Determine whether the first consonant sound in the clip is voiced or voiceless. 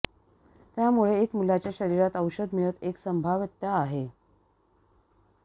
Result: voiceless